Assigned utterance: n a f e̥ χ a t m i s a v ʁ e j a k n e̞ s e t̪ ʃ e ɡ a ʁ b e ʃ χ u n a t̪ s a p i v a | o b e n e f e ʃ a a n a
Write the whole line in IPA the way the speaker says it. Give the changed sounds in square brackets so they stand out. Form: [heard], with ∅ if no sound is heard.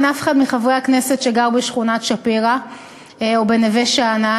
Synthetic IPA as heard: n a f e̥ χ a [d] m i [χ] a v ʁ e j a k n e̞ s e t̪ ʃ e ɡ a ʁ b e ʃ χ u n a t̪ [ʃ] a p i [ʁ] a | o b e n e [v] e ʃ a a n a